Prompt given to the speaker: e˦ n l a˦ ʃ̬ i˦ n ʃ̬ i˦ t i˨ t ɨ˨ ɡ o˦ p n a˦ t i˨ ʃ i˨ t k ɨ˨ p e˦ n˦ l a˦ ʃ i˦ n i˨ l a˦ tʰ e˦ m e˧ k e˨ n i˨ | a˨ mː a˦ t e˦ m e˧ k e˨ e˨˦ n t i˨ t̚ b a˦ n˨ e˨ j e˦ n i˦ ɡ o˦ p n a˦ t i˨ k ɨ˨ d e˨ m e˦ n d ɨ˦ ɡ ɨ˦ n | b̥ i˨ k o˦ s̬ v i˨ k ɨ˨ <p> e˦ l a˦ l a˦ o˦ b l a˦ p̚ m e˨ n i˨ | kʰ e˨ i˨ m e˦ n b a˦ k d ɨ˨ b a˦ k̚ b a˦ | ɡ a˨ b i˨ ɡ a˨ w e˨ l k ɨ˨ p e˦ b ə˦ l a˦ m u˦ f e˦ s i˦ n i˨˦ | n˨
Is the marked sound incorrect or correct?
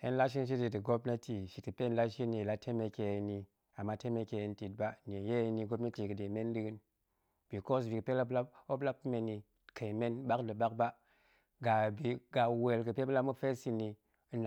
correct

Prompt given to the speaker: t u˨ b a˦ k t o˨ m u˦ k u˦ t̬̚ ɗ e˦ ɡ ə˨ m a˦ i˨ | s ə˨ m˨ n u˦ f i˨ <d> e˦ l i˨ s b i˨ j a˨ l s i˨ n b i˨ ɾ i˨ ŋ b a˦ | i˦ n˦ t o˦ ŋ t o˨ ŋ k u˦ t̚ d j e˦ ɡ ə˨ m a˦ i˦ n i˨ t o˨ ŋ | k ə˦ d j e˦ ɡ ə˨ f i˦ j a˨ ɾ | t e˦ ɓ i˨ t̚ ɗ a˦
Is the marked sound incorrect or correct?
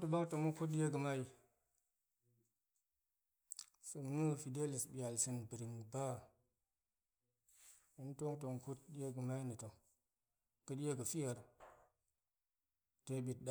correct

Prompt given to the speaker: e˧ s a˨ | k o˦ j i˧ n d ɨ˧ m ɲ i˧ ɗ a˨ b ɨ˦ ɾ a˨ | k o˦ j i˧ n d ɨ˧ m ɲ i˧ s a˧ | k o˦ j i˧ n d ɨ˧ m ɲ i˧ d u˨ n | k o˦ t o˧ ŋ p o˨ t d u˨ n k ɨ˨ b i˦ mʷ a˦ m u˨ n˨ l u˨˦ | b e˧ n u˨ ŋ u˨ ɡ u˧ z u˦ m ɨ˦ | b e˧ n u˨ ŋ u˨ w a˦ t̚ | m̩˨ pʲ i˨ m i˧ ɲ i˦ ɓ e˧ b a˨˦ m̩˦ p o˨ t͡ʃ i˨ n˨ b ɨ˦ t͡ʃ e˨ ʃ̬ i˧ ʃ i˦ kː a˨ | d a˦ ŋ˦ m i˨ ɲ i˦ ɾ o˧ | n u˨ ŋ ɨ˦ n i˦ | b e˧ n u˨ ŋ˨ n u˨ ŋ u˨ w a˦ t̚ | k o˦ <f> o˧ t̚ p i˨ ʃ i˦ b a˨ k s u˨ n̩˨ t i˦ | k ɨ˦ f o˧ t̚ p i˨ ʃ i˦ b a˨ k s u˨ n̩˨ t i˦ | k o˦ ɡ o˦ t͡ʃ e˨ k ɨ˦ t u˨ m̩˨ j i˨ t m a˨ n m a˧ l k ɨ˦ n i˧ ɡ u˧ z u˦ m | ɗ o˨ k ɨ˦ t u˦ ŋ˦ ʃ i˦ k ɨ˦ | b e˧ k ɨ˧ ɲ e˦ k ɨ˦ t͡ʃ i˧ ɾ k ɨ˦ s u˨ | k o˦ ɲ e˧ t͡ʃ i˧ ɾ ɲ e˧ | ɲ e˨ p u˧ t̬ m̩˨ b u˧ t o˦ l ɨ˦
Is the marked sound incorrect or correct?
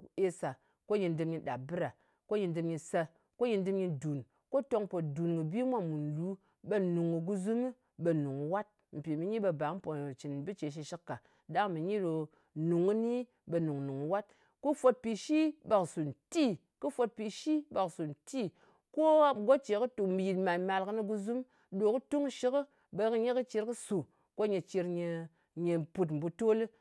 correct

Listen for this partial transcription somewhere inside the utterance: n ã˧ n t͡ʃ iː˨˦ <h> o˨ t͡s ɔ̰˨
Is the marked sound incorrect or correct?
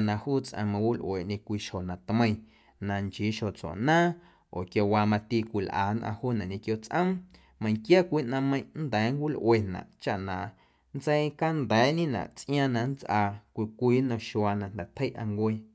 incorrect: ʃ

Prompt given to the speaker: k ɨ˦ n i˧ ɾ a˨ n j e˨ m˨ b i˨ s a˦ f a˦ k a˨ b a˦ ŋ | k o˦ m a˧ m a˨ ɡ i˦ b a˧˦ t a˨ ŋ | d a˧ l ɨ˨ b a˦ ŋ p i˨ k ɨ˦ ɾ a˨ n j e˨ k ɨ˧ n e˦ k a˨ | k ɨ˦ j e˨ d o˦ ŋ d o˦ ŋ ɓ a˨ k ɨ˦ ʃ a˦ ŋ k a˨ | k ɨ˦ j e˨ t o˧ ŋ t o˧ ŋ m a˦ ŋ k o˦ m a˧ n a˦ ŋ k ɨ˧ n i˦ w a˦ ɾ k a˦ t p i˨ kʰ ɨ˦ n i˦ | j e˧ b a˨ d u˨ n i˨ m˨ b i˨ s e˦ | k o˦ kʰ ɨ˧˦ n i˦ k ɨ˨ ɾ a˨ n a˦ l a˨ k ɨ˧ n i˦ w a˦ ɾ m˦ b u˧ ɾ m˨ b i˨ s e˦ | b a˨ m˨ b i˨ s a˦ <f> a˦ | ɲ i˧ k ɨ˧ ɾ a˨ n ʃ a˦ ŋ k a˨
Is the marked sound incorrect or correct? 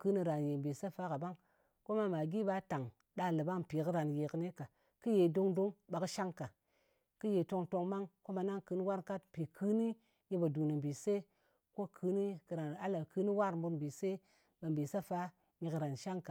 correct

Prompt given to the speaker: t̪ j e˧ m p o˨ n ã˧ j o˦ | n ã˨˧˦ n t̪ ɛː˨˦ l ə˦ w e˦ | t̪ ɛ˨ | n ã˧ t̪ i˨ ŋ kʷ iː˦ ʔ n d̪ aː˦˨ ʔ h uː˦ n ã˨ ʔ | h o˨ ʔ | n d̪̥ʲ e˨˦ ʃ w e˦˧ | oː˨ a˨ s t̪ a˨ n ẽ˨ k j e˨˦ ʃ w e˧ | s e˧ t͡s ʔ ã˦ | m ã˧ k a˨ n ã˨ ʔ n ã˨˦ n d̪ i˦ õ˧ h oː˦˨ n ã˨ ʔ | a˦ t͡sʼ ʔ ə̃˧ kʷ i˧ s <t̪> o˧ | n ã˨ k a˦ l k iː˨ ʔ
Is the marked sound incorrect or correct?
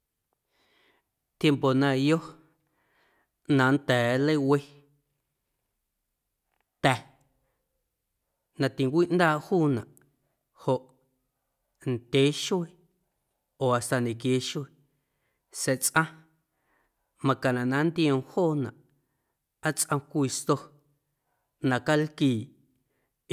correct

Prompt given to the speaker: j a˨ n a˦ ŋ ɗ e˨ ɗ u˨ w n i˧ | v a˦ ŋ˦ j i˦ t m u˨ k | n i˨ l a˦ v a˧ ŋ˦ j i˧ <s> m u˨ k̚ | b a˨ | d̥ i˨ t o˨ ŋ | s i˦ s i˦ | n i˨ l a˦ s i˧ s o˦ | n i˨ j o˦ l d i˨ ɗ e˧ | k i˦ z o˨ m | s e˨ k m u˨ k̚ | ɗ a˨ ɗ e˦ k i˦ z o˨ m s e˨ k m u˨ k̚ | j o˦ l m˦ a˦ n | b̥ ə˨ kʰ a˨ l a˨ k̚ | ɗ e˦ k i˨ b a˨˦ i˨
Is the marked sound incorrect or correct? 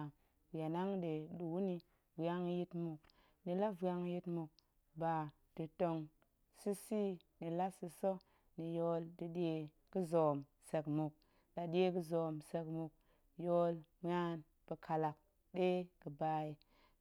incorrect: t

